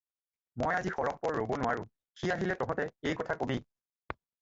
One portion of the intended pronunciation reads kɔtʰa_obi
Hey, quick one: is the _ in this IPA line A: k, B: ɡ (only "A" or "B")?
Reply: A